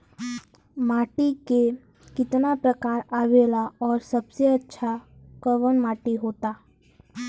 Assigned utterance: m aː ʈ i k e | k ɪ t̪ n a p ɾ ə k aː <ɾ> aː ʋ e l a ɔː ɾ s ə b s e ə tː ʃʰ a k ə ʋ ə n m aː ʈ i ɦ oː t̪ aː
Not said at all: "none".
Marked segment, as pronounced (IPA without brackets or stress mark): ɾ